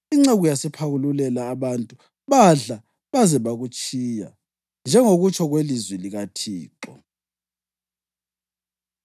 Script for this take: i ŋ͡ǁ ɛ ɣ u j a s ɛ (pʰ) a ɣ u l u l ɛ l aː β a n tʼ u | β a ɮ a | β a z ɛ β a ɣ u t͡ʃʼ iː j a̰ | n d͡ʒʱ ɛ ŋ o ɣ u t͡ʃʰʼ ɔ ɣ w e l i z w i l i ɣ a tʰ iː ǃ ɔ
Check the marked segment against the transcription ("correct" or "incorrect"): correct